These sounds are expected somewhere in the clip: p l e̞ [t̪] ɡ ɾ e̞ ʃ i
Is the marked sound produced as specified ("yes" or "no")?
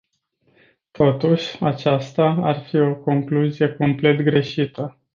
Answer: yes